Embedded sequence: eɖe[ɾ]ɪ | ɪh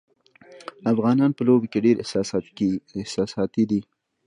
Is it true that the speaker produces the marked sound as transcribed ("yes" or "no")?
yes